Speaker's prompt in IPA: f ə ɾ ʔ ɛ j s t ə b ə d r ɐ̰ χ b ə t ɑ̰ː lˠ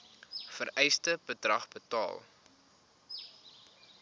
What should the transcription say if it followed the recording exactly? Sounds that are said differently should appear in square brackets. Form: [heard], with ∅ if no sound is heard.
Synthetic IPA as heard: f ə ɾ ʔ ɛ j s t ə b ə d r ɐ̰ χ b ə t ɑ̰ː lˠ